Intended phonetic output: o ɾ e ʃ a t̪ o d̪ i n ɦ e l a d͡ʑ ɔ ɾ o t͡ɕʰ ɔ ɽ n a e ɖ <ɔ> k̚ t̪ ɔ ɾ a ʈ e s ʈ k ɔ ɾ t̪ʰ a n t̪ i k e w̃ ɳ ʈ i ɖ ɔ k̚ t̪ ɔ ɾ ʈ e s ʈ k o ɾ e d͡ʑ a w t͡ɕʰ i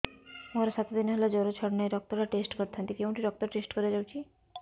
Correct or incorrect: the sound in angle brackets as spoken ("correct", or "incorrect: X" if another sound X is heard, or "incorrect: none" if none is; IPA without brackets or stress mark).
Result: correct